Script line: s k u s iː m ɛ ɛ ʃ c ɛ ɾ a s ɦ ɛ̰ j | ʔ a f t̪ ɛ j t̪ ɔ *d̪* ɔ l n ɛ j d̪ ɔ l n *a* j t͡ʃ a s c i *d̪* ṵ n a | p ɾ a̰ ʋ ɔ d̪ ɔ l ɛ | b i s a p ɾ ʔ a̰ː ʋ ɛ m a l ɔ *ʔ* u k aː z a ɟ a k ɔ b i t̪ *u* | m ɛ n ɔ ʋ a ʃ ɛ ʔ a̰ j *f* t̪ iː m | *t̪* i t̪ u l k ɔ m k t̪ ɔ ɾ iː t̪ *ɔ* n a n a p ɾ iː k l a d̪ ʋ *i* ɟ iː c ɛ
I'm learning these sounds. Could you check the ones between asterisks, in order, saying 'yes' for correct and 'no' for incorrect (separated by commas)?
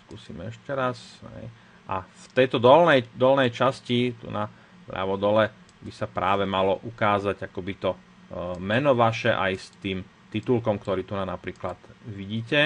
yes, no, no, yes, no, no, yes, no, yes